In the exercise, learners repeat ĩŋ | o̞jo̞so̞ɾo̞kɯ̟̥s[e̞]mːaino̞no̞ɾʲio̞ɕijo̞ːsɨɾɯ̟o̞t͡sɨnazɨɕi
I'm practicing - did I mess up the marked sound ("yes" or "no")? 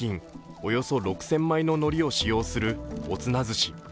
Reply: yes